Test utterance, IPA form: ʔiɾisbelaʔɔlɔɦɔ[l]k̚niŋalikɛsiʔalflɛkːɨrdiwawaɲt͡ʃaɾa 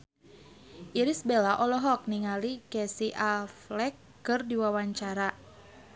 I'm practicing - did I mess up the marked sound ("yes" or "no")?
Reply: yes